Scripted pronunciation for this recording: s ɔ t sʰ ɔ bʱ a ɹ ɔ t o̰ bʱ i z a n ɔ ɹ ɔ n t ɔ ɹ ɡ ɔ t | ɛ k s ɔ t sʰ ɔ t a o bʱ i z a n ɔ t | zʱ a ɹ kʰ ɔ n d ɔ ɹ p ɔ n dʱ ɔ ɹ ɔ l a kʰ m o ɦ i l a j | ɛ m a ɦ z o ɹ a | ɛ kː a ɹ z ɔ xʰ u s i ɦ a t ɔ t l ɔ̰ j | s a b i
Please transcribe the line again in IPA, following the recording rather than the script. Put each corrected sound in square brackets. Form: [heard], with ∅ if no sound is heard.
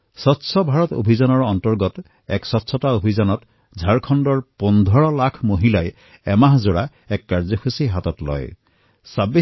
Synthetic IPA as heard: s ɔ t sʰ ɔ bʱ a ɹ ɔ t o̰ bʱ i z a n ɔ ɹ ɔ n t ɔ ɹ ɡ ɔ t | ɛ k s ɔ t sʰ ɔ t a o bʱ i z a n ɔ t | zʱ a ɹ kʰ ɔ n d ɔ ɹ p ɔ n dʱ ɔ ɹ ɔ l a kʰ m o ɦ i l a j | ɛ m a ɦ z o ɹ a | ɛ kː a ɹ z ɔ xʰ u s i ɦ a t ɔ t l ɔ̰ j | s a b i